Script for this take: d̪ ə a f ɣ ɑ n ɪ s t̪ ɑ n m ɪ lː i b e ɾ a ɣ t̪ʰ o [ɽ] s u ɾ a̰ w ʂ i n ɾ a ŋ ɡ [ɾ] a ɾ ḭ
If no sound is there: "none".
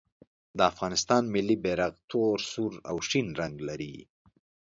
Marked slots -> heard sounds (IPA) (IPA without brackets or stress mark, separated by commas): ɾ, l